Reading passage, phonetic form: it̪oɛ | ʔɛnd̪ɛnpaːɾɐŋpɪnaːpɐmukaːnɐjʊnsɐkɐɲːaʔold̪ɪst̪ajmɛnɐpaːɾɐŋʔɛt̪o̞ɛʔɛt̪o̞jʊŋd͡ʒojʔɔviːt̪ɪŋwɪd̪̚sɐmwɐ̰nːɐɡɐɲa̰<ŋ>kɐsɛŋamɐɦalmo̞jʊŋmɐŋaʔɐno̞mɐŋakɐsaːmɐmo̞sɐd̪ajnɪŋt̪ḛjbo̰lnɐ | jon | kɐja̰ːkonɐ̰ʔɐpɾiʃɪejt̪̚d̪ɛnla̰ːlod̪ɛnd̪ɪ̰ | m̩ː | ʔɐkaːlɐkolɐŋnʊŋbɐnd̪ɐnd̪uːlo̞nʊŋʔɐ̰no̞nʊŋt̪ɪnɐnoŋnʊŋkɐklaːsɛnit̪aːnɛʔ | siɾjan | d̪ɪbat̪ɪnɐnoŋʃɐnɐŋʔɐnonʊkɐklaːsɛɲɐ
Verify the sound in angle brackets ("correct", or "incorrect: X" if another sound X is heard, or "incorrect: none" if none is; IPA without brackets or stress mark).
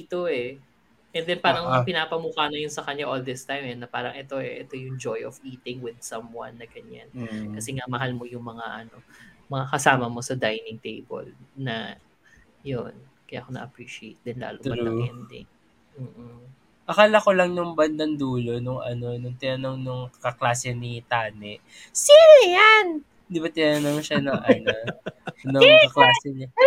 incorrect: n